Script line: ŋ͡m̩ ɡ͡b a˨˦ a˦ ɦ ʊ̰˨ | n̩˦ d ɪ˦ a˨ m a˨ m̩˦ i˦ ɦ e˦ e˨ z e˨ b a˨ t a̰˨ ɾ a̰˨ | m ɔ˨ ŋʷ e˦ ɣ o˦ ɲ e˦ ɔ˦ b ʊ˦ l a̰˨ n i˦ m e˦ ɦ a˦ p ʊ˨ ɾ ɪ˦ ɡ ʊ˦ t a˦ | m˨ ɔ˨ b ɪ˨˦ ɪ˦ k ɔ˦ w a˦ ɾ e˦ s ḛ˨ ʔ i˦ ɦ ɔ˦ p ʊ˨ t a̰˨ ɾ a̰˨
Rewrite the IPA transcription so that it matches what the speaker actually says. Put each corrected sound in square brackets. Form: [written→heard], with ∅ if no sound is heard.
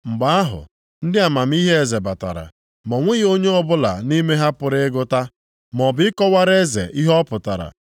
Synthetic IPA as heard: ŋ͡m̩ ɡ͡b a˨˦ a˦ ɦ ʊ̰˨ | n̩˦ d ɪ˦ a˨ m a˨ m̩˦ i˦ ɦ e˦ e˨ z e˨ b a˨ t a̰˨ ɾ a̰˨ | m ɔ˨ ŋʷ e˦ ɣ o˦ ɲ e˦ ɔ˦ b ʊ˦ l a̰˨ n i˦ m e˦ ɦ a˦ p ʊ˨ ɾ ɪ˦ ɡ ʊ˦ t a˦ | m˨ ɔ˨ b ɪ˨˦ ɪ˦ k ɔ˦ w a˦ ɾ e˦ [s→z] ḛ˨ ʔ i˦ ɦ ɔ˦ p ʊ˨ t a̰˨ ɾ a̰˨